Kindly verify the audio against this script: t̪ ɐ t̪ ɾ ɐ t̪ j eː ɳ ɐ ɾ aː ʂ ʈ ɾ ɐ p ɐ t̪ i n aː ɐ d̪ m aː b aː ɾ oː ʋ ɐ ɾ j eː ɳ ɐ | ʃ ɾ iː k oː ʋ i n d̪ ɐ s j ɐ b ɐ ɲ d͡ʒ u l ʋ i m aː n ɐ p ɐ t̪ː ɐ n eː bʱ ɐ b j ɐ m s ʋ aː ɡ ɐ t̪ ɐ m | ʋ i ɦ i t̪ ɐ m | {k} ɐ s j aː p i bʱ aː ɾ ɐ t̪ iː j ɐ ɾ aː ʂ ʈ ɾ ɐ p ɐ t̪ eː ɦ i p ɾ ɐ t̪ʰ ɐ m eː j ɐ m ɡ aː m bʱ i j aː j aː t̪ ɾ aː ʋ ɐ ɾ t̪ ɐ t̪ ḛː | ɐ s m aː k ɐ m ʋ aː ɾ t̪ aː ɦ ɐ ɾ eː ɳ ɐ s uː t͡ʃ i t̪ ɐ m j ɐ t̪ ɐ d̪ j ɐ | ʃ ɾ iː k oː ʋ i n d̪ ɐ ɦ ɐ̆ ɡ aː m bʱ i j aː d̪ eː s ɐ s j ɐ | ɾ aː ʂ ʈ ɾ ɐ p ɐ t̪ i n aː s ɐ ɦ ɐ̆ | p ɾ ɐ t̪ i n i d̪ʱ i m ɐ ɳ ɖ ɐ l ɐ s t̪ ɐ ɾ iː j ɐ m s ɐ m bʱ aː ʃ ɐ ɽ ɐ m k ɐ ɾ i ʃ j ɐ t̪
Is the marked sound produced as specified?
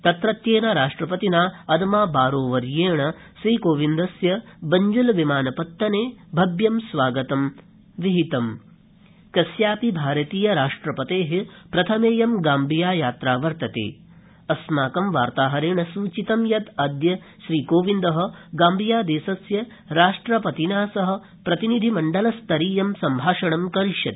yes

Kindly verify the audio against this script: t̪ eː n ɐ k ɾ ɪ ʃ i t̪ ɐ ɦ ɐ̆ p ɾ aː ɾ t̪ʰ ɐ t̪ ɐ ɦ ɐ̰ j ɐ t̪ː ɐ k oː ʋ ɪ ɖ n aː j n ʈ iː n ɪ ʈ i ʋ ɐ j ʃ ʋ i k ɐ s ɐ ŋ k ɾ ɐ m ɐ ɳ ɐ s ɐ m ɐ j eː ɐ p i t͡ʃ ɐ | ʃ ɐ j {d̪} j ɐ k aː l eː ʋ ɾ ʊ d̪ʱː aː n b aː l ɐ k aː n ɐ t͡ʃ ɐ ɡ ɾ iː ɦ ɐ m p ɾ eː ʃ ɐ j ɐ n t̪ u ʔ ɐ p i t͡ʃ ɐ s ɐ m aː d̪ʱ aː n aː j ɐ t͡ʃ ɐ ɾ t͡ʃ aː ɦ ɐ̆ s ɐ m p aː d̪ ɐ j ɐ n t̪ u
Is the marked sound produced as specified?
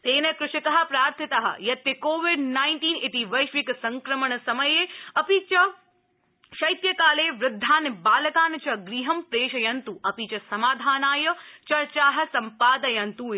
no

